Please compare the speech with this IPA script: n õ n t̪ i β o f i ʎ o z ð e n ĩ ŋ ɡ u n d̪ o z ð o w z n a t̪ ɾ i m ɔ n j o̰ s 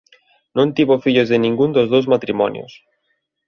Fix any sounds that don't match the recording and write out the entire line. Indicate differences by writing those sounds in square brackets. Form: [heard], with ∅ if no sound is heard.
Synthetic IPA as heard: n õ n t̪ i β o f i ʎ o z ð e n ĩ ŋ ɡ u n d̪ o z ð o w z [m] a t̪ ɾ i m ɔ n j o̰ s